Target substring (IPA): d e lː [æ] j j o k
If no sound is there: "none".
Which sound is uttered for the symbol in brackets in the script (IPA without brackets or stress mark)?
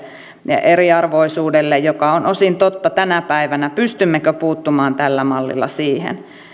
e